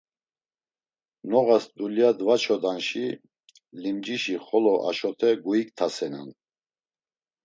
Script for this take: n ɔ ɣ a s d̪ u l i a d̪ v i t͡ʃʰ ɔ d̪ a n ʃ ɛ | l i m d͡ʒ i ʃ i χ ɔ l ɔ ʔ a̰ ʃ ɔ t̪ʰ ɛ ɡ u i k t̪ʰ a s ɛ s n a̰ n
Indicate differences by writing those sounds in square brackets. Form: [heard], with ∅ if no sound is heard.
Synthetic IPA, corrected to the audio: n ɔ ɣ a s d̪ u l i a d̪ v [a] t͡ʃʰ ɔ d̪ a n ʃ [i] | l i m d͡ʒ i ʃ i χ ɔ l ɔ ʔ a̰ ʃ ɔ t̪ʰ ɛ ɡ u i k t̪ʰ a s ɛ [∅] n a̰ n

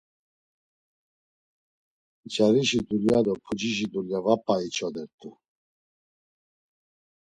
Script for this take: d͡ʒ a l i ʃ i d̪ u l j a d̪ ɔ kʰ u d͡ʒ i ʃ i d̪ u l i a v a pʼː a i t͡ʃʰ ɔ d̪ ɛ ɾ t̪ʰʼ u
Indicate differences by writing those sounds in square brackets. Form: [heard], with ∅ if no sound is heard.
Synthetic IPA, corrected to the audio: d͡ʒ a [ɾ] i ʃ i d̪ u l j a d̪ ɔ [pʰ] u d͡ʒ i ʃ i d̪ u l [j] a v a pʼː a i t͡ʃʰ ɔ d̪ ɛ ɾ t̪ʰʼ u

